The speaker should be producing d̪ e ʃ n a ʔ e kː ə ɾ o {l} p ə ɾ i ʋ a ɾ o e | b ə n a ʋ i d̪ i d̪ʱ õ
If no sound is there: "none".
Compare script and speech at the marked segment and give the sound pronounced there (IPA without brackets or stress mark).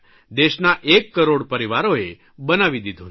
ɽ